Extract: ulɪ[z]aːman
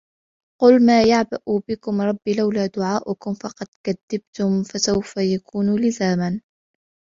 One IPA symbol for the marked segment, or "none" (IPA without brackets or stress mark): z